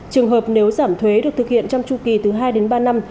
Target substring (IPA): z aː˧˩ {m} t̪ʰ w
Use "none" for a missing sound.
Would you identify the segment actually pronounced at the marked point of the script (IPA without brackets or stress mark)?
m